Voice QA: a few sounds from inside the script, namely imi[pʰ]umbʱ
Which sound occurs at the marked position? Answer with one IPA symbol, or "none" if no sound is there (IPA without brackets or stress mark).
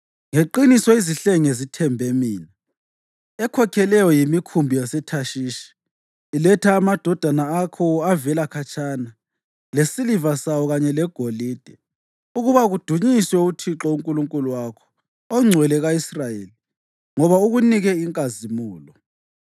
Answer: kʰ